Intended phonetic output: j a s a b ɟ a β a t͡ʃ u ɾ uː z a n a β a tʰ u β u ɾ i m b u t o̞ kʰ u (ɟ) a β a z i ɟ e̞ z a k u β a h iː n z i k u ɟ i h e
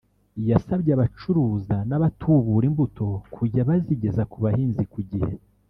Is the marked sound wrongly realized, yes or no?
no